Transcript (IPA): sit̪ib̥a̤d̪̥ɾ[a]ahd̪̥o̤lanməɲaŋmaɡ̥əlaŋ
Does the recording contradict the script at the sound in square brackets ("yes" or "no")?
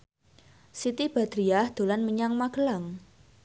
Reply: yes